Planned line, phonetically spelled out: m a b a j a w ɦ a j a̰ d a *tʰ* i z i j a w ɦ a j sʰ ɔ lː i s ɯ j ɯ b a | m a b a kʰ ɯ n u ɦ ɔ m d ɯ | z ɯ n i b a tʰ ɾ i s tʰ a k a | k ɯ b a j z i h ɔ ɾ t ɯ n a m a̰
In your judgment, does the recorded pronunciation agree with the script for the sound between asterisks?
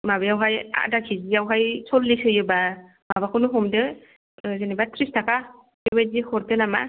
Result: no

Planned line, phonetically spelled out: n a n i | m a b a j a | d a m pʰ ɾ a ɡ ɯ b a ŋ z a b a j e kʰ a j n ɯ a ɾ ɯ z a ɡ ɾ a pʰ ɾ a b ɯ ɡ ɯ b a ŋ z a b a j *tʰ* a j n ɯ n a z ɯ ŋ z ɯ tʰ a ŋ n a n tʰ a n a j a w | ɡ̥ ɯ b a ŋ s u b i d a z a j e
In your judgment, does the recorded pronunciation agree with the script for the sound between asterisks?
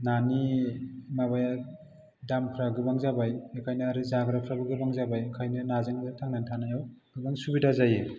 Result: no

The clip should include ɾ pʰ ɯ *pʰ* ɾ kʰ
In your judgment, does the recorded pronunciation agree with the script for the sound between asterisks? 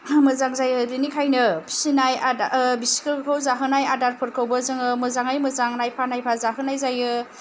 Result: no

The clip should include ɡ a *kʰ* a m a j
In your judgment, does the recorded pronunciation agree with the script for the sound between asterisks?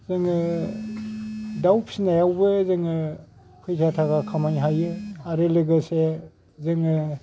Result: yes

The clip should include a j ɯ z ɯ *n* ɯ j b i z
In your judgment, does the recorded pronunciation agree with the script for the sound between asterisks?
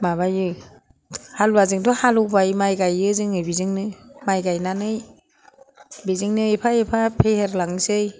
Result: no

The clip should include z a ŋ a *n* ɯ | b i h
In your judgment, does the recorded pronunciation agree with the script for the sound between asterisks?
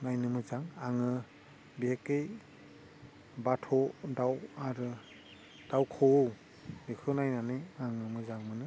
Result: no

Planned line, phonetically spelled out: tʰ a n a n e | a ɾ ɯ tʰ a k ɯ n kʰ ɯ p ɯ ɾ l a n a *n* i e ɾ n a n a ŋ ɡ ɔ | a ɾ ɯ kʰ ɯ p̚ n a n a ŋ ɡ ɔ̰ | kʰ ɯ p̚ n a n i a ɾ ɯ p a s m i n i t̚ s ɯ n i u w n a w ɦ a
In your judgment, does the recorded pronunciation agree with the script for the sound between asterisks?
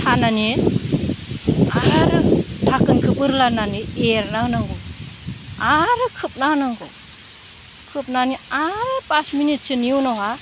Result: yes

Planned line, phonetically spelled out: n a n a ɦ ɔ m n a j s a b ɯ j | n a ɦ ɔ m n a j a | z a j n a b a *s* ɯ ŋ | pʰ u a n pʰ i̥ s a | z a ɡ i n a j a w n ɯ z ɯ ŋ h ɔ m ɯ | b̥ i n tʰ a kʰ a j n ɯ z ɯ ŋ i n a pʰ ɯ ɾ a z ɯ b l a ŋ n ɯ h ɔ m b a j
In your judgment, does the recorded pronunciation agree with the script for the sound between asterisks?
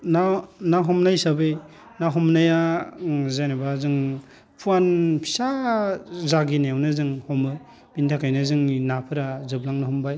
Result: no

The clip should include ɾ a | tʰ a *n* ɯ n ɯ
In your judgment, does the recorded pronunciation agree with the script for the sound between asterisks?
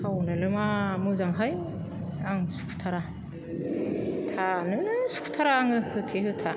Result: yes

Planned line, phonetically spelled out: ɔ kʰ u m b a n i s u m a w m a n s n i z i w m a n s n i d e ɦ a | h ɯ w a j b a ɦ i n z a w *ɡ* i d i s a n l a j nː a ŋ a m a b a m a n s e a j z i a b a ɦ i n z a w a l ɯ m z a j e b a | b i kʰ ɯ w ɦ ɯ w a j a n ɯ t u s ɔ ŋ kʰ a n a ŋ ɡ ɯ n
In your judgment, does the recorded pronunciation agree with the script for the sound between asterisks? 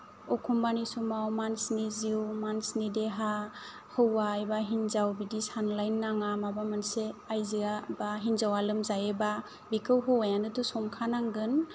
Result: no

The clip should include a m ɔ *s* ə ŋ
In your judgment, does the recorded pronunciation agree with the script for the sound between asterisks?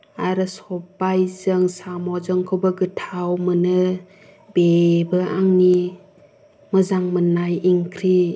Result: no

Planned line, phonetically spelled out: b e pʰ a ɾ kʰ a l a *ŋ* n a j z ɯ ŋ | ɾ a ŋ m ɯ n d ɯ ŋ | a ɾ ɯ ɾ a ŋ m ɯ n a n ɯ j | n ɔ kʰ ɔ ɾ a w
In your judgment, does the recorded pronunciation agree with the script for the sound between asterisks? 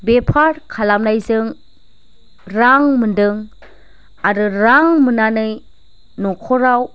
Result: no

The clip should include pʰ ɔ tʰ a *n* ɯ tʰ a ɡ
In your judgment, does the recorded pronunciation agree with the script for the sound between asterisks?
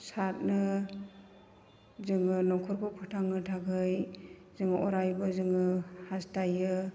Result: no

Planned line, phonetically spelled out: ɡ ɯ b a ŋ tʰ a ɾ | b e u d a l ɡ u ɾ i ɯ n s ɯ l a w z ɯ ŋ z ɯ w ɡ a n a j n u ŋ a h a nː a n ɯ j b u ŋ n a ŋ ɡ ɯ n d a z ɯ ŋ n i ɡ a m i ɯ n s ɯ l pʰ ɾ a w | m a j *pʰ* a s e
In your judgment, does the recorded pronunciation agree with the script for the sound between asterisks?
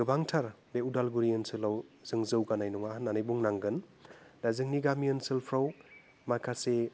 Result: no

